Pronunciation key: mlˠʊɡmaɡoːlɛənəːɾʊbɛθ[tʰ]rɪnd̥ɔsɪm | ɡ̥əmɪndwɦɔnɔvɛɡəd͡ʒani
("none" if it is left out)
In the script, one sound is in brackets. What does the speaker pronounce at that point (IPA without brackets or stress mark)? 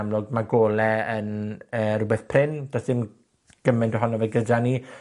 pʰ